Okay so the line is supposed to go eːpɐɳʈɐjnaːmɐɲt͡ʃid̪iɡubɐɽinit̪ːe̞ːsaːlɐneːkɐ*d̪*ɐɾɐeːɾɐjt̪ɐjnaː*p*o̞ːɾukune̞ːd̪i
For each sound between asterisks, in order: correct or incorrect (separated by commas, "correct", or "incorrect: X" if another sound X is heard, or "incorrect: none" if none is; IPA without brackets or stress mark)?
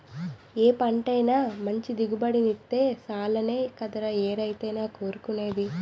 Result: correct, incorrect: k